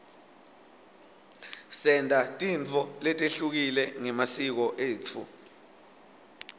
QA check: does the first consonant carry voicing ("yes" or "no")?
no